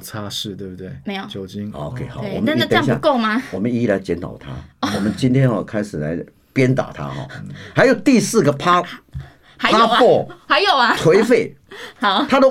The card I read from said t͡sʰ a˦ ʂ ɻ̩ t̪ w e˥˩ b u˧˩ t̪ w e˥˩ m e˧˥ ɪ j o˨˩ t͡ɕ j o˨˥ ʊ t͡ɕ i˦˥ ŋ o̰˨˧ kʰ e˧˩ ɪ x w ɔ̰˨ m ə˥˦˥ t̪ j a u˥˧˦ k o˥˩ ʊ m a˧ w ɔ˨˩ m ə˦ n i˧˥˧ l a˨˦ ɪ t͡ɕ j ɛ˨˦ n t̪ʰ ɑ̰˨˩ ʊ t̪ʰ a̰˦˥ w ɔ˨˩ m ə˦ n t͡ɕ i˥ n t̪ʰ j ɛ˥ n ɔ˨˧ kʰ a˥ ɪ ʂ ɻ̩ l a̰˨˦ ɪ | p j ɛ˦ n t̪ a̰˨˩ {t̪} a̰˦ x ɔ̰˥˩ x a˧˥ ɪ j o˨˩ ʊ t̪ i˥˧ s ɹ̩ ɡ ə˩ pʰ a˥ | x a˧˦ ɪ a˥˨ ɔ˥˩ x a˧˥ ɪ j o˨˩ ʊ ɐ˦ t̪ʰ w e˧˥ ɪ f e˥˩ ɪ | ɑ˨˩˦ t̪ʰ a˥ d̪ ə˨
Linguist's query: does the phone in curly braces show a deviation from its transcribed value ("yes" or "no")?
yes